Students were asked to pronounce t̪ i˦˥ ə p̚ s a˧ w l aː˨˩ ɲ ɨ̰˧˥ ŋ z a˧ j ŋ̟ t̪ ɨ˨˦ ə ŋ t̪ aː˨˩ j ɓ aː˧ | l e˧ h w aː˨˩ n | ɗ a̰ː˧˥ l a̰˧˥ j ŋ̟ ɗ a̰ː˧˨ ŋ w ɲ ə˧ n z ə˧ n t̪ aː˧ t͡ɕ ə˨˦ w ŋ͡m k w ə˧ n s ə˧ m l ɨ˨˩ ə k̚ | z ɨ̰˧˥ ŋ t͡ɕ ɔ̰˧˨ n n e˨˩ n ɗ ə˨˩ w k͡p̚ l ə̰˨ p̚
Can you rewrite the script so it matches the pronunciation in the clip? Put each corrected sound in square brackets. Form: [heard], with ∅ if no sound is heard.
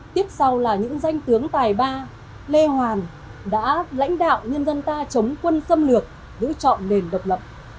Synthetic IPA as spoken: t̪ i˦˥ ə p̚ s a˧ w l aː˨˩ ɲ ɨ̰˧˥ ŋ z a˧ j ŋ̟ t̪ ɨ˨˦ ə ŋ t̪ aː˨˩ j ɓ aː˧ | l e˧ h w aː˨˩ n | ɗ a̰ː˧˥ l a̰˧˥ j ŋ̟ ɗ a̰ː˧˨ [∅] w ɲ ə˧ n z ə˧ n t̪ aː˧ t͡ɕ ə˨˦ w ŋ͡m k w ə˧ n s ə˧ m l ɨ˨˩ ə k̚ | z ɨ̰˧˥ [∅] t͡ɕ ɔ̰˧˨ n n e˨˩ n ɗ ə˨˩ w k͡p̚ l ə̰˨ p̚